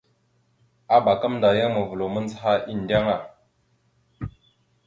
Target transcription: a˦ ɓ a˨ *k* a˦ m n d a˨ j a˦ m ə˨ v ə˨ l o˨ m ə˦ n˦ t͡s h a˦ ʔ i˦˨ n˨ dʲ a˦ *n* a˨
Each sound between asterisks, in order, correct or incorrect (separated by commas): correct, incorrect